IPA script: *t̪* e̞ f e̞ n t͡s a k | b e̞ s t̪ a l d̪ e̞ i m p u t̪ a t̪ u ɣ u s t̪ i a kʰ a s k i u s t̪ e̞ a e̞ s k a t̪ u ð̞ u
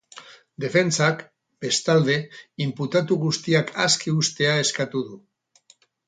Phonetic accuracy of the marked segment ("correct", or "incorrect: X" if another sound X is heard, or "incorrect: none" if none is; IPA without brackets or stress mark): incorrect: d̪